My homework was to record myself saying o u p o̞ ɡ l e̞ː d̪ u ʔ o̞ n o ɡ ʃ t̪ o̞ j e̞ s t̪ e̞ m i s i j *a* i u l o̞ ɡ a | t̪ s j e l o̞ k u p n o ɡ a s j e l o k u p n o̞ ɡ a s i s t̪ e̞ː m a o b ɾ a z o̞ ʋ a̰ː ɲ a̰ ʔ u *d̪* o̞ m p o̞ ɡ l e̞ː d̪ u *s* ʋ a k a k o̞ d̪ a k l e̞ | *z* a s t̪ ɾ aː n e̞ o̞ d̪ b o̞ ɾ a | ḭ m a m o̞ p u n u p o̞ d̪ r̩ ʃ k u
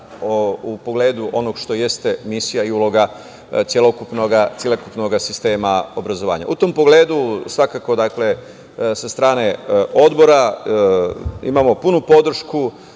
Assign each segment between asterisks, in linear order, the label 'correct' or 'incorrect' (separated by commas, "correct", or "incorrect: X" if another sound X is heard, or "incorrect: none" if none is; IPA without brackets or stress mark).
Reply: correct, incorrect: t̪, correct, incorrect: s